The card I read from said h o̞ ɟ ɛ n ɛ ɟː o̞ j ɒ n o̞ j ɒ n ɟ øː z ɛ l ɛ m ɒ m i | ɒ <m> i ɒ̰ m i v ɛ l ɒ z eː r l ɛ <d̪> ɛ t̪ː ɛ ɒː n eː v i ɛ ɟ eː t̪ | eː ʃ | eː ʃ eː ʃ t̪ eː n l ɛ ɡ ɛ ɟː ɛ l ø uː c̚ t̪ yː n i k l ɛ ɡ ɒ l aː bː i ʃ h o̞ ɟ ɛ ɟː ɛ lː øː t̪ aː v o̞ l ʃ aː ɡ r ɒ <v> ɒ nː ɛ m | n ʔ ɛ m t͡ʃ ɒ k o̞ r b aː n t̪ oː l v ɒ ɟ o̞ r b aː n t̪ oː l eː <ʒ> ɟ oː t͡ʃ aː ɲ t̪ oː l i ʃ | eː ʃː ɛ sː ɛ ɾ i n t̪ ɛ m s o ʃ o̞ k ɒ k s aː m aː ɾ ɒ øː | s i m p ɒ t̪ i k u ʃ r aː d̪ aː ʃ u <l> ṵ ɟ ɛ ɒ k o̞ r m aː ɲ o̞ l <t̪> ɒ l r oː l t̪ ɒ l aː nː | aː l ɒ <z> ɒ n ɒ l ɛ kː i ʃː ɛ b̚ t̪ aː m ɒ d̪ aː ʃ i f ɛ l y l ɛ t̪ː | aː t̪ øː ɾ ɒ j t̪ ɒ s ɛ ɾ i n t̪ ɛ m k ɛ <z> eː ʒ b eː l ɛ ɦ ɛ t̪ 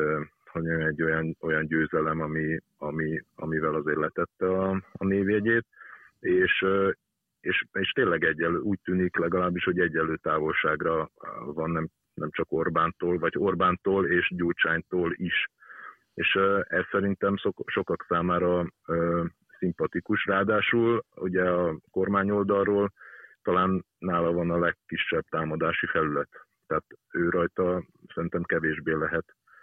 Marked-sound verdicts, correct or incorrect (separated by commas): correct, incorrect, correct, incorrect, correct, incorrect, incorrect, incorrect